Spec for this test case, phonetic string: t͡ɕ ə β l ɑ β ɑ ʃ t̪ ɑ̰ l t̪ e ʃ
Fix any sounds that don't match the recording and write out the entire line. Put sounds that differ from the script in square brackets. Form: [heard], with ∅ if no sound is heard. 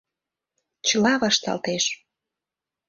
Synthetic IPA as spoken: t͡ɕ ə [∅] l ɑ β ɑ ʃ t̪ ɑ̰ l t̪ e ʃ